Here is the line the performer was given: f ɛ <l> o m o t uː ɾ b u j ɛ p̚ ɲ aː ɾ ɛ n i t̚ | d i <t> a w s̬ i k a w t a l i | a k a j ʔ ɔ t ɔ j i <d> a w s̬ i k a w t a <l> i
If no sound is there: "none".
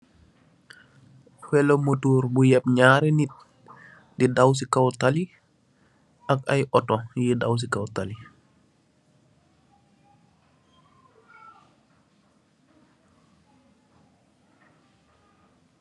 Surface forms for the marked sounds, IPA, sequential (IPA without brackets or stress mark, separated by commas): l, d, d, l